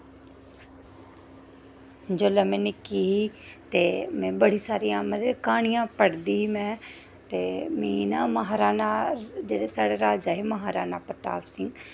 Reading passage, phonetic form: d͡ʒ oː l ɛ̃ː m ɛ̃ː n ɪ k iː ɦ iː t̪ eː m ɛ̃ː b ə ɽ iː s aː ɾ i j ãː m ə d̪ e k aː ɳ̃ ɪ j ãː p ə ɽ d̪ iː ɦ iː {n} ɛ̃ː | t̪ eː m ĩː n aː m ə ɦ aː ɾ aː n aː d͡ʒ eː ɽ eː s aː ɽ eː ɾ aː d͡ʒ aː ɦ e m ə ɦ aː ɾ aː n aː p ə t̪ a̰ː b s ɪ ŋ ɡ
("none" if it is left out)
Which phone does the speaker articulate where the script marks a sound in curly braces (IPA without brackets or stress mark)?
m